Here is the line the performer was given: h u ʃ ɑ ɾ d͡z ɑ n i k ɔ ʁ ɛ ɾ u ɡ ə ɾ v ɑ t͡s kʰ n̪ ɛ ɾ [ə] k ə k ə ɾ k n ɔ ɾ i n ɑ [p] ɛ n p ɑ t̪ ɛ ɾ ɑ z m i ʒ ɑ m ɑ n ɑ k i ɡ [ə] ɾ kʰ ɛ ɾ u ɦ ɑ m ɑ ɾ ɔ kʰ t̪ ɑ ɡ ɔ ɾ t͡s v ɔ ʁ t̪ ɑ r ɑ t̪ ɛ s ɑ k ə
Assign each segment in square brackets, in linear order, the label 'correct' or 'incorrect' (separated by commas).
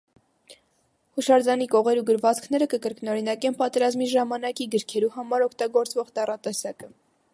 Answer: correct, incorrect, correct